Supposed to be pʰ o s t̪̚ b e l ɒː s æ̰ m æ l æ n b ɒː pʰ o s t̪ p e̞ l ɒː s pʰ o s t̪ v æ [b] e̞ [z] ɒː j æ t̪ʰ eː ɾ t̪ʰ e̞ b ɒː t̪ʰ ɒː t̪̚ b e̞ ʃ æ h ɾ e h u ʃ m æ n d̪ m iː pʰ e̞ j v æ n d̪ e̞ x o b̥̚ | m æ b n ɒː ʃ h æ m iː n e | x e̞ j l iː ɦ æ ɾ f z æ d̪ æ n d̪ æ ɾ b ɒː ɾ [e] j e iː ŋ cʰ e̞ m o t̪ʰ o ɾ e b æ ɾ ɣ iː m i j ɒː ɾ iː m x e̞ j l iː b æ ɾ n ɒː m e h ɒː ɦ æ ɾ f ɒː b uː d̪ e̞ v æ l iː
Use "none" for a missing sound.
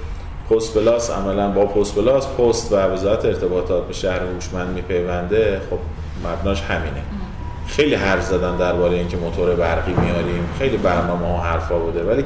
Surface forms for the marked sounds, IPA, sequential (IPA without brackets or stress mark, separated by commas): v, z, e